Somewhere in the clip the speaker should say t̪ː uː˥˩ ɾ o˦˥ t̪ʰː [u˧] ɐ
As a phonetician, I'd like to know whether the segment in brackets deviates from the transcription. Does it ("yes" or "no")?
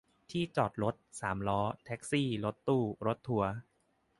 yes